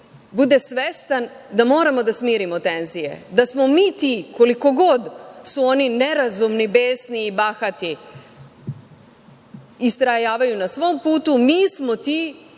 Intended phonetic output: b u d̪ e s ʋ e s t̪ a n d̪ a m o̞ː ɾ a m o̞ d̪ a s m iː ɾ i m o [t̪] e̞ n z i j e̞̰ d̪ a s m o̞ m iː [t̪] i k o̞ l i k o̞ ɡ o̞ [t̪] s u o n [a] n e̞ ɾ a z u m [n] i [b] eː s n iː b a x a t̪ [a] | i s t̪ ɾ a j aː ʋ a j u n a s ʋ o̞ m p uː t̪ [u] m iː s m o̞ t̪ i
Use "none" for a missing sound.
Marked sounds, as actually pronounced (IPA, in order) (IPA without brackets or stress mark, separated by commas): t̪, t̪, d̪, i, n, b, i, u